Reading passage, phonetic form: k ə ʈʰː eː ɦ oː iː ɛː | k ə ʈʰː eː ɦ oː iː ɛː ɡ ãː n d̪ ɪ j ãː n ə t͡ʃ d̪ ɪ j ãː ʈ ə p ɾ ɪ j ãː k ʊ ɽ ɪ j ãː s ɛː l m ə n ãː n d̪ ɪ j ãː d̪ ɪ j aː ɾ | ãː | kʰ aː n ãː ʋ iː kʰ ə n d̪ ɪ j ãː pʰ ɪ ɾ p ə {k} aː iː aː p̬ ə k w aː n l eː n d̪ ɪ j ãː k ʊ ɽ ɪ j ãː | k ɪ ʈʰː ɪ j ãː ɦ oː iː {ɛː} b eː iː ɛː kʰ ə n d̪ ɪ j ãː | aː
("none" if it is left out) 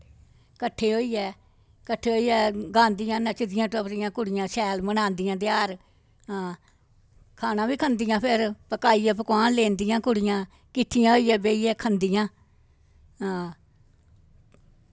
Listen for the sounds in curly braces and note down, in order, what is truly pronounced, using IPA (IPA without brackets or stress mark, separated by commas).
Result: k, ɛː